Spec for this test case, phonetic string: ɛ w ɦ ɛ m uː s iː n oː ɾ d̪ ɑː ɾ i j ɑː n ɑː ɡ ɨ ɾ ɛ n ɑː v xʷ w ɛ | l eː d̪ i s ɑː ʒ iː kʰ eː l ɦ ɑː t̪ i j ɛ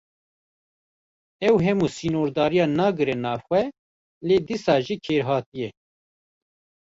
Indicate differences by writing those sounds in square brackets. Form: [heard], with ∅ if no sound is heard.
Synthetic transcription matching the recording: ɛ w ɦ ɛ m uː s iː n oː ɾ d̪ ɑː ɾ i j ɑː n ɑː ɡ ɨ ɾ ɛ n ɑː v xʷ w ɛ | l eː d̪ i s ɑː ʒ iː kʰ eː [ɾ] ɦ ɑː t̪ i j ɛ